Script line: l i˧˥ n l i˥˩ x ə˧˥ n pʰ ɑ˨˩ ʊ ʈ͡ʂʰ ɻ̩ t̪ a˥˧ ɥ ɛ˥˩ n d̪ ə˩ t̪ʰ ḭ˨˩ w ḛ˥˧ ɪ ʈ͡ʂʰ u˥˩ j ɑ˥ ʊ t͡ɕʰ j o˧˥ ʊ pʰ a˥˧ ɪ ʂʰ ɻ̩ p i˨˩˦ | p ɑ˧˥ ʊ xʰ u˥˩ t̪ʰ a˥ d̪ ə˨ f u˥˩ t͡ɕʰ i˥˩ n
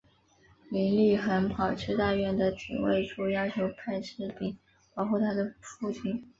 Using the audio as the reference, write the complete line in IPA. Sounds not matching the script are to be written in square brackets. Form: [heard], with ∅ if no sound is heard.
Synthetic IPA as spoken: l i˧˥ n l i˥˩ x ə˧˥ n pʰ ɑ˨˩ ʊ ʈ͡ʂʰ ɻ̩ t̪ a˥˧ ɥ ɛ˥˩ n d̪ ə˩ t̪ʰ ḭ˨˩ w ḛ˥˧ ɪ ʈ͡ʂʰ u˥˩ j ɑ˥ ʊ t͡ɕʰ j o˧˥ ʊ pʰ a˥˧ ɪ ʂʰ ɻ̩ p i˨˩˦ | p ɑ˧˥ ʊ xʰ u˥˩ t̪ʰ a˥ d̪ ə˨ f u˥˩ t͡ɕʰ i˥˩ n